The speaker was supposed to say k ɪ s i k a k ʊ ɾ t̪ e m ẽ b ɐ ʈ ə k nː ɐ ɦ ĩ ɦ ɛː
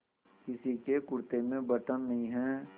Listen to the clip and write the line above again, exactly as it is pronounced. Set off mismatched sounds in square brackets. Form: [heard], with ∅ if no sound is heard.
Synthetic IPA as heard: k ɪ s i k [e] k ʊ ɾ t̪ e m ẽ b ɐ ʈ ə [∅] nː ɐ ɦ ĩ ɦ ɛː